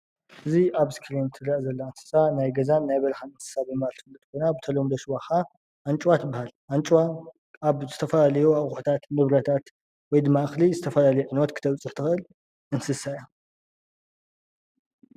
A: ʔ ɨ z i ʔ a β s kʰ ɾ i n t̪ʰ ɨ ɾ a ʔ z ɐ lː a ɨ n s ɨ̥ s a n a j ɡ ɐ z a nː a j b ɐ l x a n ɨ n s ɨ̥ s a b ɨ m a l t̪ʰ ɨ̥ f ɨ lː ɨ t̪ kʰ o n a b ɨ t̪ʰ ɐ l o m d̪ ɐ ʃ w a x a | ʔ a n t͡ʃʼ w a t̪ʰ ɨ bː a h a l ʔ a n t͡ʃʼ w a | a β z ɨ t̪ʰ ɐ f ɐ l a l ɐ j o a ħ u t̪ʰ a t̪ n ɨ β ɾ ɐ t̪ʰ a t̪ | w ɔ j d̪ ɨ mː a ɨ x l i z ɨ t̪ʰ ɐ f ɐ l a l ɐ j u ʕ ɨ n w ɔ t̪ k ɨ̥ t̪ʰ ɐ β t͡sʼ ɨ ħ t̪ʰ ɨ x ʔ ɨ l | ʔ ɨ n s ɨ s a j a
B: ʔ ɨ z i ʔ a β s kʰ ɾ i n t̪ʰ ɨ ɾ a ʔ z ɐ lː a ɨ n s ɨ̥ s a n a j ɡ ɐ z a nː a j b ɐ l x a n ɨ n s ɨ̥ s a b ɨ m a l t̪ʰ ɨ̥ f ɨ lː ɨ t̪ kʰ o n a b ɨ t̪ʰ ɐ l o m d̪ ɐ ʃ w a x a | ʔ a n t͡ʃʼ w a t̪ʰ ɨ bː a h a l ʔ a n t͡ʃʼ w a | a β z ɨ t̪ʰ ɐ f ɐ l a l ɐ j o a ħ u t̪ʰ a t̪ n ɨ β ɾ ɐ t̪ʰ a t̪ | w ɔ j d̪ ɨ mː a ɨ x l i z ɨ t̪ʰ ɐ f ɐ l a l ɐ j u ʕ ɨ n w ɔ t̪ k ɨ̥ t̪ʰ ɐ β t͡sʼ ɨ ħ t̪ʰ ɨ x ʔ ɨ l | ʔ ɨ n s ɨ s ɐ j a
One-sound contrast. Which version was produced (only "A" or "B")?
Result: A